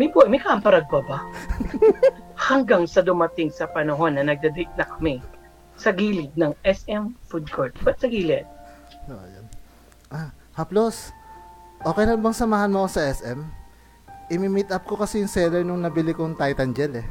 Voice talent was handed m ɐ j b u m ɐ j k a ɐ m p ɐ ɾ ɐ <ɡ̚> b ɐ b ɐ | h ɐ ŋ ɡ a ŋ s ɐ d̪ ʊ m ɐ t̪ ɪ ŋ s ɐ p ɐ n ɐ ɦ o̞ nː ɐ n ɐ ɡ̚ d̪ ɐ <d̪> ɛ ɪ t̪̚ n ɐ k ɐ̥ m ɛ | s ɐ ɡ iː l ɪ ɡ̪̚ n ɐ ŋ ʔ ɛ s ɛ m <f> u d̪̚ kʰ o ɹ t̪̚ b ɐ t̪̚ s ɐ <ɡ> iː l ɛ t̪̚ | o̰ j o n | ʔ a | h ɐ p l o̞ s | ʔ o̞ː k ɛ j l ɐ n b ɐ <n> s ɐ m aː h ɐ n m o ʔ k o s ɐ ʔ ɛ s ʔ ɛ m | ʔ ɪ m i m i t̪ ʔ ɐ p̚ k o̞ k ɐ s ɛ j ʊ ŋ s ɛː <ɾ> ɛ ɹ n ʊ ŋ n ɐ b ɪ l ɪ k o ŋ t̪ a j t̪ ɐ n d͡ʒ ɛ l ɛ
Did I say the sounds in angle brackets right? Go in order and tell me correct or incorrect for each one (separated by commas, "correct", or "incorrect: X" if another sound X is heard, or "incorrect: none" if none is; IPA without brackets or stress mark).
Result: correct, correct, correct, correct, incorrect: ŋ, incorrect: l